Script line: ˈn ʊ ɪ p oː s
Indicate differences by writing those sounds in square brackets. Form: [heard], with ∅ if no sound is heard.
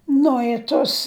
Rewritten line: ˈn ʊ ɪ [t] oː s

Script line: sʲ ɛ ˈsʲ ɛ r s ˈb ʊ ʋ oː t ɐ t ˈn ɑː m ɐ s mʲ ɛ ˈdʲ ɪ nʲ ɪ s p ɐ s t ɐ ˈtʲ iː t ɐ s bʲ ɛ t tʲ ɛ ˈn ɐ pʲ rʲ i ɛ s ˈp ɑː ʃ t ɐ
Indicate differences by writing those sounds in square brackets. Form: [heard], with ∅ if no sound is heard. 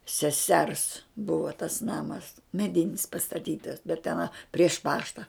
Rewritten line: sʲ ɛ ˈsʲ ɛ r s ˈb ʊ ʋ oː t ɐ [s] ˈn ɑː m ɐ s mʲ ɛ ˈdʲ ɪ nʲ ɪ s p ɐ s t ɐ ˈtʲ iː t ɐ s bʲ ɛ t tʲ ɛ ˈn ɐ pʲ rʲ i ɛ [ʃ] ˈp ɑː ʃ t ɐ

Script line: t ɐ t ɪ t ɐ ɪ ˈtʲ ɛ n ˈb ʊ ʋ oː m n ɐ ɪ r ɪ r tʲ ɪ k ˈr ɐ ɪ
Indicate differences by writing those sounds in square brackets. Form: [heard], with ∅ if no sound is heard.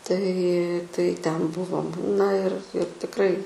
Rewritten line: t ɐ [∅] ɪ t ɐ ɪ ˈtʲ ɛ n ˈb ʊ ʋ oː m n ɐ ɪ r ɪ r tʲ ɪ k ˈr ɐ ɪ

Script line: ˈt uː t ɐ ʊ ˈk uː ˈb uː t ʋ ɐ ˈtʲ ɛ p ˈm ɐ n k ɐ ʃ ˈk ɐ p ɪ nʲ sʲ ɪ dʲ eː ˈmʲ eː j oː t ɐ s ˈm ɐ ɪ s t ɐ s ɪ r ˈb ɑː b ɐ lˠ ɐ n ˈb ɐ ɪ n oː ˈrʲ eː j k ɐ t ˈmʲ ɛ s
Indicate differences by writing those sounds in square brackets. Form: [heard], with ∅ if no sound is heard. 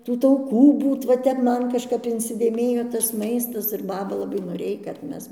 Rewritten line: ˈt uː t ɐ ʊ ˈk uː ˈb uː t ʋ ɐ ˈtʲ ɛ p ˈm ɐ n k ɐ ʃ ˈk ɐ p ɪ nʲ sʲ ɪ dʲ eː ˈmʲ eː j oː t ɐ s ˈm ɐ ɪ s t ɐ s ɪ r ˈb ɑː b ɐ lˠ ɐ [∅] ˈb ɐ ɪ n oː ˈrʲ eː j k ɐ t ˈmʲ ɛ s

